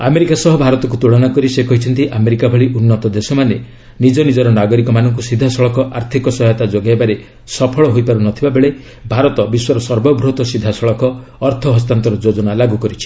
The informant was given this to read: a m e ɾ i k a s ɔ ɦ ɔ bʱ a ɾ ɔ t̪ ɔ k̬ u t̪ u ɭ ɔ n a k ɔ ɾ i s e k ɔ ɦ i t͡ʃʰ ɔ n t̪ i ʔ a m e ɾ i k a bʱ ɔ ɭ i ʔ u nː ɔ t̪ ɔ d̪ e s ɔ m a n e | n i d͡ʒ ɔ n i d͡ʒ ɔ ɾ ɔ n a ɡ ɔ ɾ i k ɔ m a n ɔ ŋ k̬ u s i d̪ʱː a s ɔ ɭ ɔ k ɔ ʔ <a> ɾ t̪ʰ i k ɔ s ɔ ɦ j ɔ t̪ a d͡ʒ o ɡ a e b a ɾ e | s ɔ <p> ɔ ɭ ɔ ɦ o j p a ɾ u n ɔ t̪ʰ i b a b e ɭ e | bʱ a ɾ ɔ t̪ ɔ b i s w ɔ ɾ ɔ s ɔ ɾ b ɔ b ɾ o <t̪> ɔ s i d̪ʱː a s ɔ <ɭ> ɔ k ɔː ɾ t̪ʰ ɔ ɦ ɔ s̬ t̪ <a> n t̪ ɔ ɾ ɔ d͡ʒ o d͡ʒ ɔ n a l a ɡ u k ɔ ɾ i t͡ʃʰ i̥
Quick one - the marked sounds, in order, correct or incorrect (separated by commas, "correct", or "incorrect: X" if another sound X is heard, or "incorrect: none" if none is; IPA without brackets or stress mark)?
correct, incorrect: pʰ, correct, correct, correct